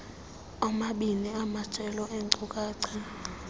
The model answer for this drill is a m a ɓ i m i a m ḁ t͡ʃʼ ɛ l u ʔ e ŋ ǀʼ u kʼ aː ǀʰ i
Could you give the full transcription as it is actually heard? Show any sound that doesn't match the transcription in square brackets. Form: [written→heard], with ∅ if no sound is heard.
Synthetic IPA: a m a ɓ i [m→n] i a m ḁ t͡ʃʼ ɛ l [u→ɔ] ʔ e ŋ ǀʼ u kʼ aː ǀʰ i